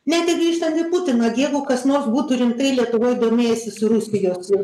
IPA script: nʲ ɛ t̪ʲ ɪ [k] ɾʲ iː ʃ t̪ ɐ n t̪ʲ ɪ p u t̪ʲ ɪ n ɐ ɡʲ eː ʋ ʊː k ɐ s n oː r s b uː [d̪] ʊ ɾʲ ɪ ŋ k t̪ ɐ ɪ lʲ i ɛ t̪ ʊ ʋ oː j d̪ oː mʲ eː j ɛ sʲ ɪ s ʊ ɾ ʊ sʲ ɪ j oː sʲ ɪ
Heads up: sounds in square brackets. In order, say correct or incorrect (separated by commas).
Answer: incorrect, incorrect